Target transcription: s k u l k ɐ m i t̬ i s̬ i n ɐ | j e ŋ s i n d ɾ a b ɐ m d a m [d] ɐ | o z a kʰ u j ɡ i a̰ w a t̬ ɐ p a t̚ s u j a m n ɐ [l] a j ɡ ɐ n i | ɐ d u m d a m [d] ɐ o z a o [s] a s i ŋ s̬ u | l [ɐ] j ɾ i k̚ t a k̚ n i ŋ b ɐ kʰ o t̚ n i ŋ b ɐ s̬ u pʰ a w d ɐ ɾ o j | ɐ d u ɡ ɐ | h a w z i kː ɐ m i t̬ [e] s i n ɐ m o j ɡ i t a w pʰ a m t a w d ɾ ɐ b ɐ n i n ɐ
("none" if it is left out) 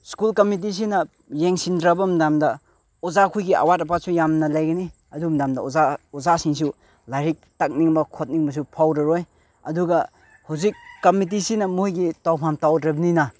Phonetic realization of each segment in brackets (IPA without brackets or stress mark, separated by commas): d, l, d, z, a, i